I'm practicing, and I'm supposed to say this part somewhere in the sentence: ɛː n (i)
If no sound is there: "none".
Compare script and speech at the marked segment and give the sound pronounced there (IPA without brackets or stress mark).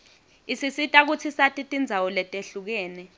ɛ